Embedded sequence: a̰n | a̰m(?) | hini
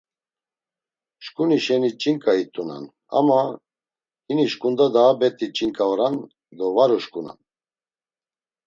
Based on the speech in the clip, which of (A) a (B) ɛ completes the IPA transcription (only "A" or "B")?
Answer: A